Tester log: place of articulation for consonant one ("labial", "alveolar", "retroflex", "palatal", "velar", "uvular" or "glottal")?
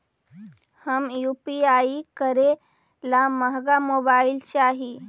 glottal